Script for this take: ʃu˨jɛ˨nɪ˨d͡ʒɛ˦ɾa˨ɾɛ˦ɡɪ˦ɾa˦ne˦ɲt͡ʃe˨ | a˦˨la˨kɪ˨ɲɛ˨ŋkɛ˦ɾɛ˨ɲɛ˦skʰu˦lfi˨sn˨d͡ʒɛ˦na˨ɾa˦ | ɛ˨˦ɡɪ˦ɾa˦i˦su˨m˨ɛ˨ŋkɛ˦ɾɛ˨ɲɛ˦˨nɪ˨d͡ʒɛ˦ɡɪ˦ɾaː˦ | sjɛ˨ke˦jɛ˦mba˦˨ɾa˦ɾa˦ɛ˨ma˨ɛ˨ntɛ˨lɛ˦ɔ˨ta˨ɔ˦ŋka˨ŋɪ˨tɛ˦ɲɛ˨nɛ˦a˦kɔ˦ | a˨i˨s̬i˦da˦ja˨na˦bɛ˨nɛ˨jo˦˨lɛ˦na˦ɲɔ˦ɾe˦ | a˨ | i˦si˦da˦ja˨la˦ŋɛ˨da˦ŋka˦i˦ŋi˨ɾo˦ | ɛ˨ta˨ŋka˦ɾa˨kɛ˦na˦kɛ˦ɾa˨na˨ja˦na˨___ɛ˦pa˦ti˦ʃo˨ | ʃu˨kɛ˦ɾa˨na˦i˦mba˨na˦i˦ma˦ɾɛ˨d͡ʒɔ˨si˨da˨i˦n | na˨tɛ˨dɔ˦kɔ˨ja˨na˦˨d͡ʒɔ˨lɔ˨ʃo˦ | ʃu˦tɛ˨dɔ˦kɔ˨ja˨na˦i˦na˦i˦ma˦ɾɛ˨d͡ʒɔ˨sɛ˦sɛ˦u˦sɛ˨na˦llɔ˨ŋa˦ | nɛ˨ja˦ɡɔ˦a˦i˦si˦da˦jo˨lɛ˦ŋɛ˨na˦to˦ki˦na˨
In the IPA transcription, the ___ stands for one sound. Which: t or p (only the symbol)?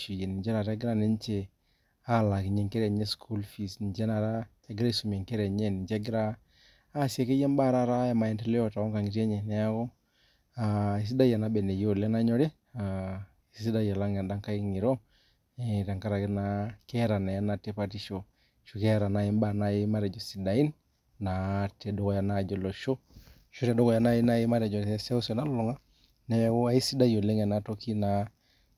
t